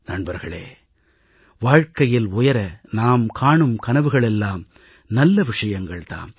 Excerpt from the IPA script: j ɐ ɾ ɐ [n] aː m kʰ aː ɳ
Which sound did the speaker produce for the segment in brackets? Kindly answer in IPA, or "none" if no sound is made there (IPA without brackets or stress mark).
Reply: n